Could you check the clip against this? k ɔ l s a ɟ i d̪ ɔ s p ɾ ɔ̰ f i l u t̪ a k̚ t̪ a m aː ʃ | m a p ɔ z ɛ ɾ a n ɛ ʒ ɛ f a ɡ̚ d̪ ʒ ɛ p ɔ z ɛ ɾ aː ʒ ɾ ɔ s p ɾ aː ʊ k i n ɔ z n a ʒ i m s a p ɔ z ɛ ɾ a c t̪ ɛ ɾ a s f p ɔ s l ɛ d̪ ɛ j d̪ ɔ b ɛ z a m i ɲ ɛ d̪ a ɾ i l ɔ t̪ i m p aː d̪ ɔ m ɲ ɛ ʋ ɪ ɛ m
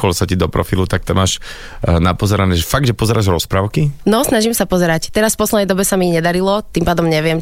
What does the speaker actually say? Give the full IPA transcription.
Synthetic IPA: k ɔ l s a c i d̪ ɔ p ɾ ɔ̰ f i l u t̪ a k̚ t̪ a m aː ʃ | n a p ɔ z ɛ ɾ a n ɛ ʒ ɛ f a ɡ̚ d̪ ʒ ɛ p ɔ z ɛ ɾ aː ʒ ɾ ɔ s p ɾ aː ʊ k i n ɔ s n a ʒ i m s a p ɔ z ɛ ɾ a c t̪ ɛ ɾ a s f p ɔ s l ɛ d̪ ɛ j d̪ ɔ b ɛ s a m i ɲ ɛ d̪ a ɾ i l ɔ t̪ i m p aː d̪ ɔ m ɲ ɛ ʋ ɪ ɛ m